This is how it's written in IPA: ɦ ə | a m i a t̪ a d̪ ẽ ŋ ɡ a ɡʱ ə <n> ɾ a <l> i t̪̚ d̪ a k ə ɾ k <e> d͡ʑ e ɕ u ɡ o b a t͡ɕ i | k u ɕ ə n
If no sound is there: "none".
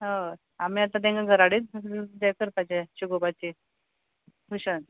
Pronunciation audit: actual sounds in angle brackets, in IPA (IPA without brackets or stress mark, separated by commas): none, ɽ, a